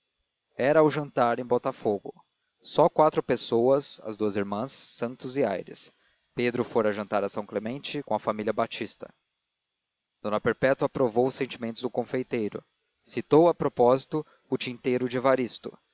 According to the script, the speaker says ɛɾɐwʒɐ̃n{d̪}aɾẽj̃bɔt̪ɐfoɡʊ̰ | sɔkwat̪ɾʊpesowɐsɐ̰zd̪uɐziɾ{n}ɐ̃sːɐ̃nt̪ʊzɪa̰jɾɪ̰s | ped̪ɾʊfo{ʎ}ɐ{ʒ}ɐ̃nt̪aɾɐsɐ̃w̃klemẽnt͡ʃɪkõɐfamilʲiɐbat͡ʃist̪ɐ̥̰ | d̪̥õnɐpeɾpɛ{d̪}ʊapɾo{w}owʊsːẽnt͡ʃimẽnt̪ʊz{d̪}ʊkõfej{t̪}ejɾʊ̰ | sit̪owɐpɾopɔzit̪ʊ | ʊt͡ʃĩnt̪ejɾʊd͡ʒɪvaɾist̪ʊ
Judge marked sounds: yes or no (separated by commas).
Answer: no, no, no, yes, no, no, yes, yes